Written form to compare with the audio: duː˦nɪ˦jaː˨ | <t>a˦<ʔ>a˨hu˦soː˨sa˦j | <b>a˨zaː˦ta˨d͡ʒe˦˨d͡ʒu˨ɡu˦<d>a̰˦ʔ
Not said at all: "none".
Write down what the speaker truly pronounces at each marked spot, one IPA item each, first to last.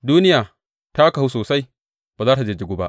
t, k, b, b

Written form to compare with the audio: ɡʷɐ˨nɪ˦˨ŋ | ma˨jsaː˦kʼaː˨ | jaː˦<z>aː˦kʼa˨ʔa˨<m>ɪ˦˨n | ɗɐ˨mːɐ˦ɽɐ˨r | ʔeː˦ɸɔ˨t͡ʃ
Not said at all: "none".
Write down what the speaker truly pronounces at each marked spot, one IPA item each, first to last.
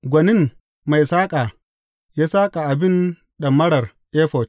s, b

